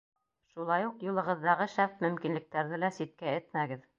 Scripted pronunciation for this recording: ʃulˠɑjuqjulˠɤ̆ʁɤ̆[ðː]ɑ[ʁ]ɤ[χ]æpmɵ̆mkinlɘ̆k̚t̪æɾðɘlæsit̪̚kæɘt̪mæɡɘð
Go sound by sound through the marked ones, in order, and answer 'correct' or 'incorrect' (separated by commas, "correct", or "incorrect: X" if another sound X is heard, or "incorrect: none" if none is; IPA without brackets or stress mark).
correct, correct, incorrect: ʃ